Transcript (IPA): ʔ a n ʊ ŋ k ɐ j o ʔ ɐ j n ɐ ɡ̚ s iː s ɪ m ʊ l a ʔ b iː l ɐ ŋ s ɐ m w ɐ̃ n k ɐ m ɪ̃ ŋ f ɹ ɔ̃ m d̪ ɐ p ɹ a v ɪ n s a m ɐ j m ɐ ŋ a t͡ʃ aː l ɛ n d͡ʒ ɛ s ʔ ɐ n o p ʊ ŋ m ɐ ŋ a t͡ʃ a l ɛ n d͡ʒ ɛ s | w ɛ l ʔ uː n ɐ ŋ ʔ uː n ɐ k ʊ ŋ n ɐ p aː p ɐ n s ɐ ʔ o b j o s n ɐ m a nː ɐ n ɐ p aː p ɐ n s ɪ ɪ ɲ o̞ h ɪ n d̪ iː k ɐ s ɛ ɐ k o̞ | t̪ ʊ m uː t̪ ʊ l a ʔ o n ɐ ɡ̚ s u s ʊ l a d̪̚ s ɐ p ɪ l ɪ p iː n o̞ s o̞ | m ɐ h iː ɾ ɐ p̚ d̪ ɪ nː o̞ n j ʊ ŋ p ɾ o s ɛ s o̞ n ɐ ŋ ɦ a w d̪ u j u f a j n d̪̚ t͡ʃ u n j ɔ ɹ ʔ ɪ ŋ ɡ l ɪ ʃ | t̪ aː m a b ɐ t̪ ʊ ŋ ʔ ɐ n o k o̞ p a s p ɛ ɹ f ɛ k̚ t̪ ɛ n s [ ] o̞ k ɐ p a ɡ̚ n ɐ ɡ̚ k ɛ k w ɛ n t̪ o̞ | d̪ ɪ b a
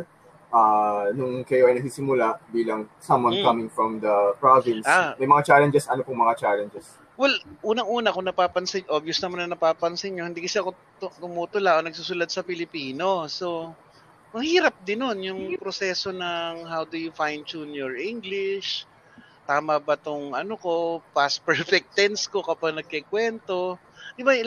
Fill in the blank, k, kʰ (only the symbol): k